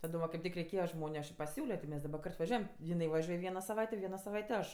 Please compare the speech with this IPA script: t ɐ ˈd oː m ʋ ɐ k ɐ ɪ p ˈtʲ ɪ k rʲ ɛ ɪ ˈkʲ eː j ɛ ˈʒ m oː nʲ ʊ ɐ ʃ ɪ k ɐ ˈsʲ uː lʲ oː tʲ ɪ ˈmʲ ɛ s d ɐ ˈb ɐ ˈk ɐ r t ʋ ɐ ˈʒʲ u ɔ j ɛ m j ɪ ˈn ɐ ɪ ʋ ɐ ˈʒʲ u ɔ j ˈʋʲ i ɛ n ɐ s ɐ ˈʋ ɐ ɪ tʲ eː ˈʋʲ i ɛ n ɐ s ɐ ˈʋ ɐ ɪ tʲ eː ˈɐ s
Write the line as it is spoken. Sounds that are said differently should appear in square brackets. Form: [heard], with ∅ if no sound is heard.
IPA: t ɐ ˈd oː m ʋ ɐ k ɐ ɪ p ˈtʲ ɪ k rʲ ɛ ɪ ˈkʲ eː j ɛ ˈʒ m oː nʲ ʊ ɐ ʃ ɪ [p] ɐ ˈsʲ uː lʲ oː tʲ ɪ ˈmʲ ɛ s d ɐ ˈb ɐ ˈk ɐ r t ʋ ɐ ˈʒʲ u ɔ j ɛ m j ɪ ˈn ɐ ɪ ʋ ɐ ˈʒʲ u ɔ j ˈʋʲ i ɛ n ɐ s ɐ ˈʋ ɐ ɪ tʲ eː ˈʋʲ i ɛ n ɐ s ɐ ˈʋ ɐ ɪ tʲ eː ˈɐ [ʃ]